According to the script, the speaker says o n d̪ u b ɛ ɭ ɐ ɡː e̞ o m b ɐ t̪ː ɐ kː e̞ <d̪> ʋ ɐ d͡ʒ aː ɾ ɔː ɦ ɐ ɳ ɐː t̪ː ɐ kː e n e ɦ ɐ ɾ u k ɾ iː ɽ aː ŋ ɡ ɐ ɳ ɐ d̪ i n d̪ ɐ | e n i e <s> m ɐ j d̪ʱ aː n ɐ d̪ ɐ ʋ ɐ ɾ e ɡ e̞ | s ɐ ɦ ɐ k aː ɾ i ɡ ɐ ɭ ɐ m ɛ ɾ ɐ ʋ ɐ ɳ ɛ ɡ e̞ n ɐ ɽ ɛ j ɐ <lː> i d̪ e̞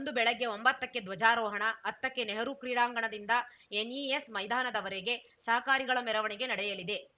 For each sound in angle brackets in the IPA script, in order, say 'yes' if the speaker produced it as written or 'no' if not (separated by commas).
yes, yes, no